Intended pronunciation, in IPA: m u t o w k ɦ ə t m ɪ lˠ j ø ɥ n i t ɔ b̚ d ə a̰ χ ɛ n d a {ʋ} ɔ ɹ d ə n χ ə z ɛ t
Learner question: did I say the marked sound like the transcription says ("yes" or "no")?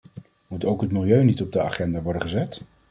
yes